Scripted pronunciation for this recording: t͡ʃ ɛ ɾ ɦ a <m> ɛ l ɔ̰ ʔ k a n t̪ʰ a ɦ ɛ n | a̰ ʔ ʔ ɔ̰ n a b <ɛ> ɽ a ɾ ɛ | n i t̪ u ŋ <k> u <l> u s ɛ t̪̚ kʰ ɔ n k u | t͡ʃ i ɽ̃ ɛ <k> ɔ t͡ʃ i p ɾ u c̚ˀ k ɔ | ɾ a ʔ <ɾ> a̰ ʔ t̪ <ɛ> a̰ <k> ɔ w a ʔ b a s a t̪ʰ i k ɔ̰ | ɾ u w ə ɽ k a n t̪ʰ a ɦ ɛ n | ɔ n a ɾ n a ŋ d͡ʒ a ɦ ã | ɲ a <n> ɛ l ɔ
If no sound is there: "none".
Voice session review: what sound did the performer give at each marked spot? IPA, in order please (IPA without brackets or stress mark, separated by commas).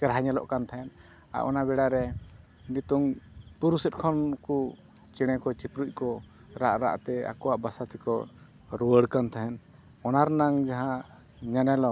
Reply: ɲ, ɛ, p, ɾ, k, ɾ, ɛ, k, n